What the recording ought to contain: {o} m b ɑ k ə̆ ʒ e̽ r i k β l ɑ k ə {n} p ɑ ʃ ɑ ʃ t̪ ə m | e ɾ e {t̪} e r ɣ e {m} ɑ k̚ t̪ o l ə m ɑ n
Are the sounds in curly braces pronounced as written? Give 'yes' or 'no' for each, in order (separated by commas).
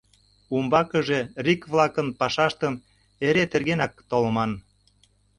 no, yes, yes, no